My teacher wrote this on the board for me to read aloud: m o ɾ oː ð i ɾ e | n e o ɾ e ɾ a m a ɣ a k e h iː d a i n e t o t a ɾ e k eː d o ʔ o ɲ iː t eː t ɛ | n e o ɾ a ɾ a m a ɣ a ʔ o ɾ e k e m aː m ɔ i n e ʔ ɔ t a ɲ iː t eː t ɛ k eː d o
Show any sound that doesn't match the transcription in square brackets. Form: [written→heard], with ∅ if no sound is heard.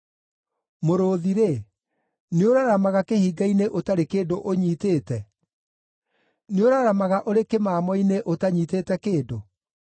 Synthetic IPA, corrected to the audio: m o ɾ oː ð i ɾ e | n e o ɾ [e→a] ɾ a m a ɣ a k e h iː [d→ɡ] a i n e [t→ʔ] o t a ɾ e k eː d o ʔ o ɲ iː t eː t ɛ | n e o ɾ a ɾ a m a ɣ a ʔ o ɾ e k e m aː m ɔ i n e ʔ [ɔ→o] t a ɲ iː t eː t ɛ k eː d o